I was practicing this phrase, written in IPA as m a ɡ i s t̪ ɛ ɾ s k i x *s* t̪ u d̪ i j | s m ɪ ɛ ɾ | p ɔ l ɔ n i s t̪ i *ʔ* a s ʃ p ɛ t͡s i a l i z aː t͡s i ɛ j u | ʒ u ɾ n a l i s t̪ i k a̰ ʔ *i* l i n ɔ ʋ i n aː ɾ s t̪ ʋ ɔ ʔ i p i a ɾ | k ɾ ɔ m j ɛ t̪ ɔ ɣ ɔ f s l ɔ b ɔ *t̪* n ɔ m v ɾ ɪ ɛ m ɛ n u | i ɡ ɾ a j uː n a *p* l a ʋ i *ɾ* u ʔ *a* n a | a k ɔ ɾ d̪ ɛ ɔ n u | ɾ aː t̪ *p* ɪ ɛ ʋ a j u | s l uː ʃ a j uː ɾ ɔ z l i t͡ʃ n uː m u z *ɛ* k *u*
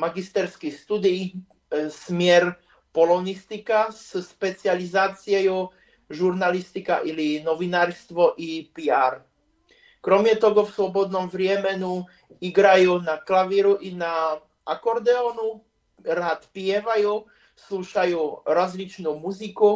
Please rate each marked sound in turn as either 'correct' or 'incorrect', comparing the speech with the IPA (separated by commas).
correct, incorrect, correct, incorrect, incorrect, correct, incorrect, correct, incorrect, correct